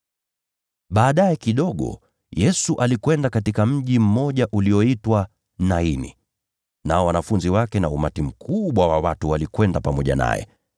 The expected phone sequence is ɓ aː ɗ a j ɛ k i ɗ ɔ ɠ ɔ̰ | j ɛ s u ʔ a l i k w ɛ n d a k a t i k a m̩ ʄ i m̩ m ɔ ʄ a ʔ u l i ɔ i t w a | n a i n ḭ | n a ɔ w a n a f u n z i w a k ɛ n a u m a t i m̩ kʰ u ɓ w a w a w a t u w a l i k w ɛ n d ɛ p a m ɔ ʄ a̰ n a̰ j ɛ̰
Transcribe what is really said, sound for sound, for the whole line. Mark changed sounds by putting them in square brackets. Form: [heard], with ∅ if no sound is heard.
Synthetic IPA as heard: ɓ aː ɗ a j ɛ k i ɗ ɔ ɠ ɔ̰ | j ɛ s u ʔ a l i k w ɛ n d a k a t i k a m̩ ʄ i m̩ m ɔ ʄ a ʔ u l i ɔ i t w a | n a i n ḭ | n a ɔ w a n a f u n z i w a k ɛ n a u m a t i m̩ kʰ u ɓ w a w a w a t u w a l i k w ɛ n d [a] p a m ɔ ʄ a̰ n a̰ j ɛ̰